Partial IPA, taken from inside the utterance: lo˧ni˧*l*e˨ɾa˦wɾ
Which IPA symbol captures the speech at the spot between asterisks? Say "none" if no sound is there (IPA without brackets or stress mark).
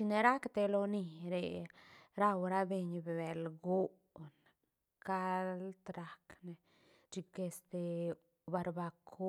ɾ